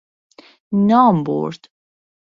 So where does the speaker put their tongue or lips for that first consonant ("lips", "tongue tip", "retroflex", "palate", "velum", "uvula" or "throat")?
tongue tip